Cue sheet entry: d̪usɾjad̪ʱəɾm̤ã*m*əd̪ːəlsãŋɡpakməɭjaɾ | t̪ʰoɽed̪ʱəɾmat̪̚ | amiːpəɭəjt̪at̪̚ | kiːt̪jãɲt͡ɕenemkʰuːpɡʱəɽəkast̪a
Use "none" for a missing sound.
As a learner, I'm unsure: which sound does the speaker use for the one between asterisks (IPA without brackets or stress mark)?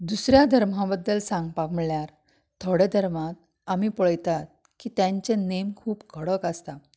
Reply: b